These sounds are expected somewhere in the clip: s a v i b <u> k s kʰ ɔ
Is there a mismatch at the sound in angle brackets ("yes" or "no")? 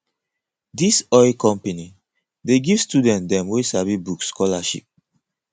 no